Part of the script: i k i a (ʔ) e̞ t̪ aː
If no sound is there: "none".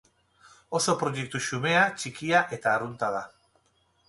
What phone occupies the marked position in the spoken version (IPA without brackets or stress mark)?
ʔ